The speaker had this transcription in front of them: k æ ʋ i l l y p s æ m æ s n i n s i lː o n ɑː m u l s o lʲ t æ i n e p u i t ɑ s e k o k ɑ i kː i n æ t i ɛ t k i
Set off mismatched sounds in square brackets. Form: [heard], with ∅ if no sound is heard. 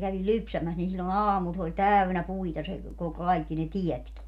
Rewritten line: k æ ʋ i l l y p s æ m æ s n i n s i lː o n ɑː m u l s o lʲ t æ [y] n [æ] p u i t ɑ s e k o k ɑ i kː i n [e] t i ɛ t k i